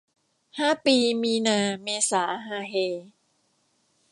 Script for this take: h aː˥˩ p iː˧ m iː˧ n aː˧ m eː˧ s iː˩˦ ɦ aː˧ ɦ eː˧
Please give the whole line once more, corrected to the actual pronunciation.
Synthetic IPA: h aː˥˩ p iː˧ m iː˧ n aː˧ m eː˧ s aː˩˦ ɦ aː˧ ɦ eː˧